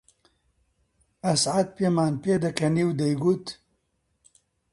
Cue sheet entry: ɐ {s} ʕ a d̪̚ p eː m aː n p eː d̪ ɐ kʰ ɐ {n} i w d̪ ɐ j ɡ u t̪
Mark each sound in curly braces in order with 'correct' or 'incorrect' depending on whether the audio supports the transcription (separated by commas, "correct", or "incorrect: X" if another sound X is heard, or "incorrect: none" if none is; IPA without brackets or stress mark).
correct, correct